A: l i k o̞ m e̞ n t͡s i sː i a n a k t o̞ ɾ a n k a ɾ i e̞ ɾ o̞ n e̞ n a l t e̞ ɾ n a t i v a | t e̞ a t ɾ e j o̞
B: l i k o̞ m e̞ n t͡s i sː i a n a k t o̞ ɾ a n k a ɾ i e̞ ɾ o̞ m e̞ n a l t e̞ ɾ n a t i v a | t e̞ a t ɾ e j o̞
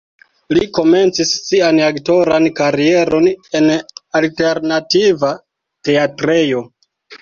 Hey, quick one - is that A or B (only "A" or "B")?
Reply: A